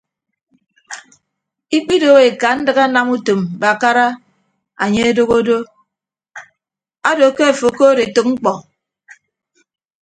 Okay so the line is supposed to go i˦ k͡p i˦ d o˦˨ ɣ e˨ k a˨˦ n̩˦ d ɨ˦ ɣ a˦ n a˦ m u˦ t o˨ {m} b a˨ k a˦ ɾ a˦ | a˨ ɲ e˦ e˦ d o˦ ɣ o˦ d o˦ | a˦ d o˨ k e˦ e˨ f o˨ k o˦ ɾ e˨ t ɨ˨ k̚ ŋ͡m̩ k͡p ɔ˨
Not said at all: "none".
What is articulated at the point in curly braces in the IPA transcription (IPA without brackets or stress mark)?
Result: m